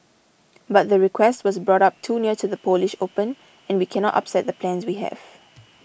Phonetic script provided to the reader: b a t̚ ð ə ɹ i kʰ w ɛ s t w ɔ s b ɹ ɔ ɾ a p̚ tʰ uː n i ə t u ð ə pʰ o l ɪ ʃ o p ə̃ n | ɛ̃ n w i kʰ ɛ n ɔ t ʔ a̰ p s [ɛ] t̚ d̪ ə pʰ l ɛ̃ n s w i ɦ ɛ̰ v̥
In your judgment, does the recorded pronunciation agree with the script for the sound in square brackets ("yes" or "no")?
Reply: yes